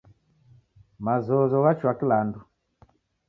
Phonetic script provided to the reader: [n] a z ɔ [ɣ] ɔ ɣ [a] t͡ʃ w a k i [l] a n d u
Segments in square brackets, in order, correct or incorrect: incorrect, incorrect, correct, correct

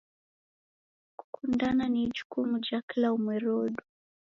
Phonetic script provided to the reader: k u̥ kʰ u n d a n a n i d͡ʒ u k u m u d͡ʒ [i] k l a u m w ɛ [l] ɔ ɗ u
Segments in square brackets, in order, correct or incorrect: incorrect, incorrect

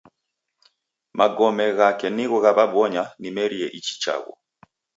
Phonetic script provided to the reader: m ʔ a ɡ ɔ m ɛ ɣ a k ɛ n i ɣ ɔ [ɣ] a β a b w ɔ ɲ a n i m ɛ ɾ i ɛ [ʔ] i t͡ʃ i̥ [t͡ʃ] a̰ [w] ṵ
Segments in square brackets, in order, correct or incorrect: correct, correct, correct, incorrect

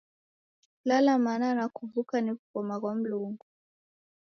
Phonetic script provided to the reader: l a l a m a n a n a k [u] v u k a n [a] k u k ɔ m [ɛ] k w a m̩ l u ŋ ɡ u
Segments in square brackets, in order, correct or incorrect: correct, incorrect, incorrect

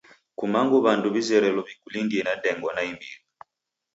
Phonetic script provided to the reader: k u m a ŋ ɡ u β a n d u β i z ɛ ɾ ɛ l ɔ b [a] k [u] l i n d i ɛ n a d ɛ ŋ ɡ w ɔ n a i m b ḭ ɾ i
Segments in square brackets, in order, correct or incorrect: incorrect, correct

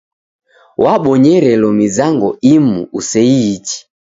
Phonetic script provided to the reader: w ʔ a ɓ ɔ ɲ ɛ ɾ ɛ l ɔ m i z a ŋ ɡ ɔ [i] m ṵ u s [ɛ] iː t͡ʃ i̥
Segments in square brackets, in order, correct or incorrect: correct, correct

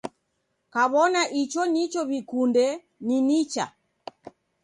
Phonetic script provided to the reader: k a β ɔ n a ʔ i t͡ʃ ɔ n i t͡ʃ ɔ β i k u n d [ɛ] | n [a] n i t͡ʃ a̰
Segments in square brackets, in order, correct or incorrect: correct, incorrect

